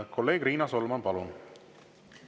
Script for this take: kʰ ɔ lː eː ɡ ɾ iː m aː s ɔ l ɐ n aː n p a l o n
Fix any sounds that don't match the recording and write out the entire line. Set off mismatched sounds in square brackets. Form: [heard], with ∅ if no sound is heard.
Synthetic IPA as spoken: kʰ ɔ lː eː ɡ ɾ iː [n] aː s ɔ l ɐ [m] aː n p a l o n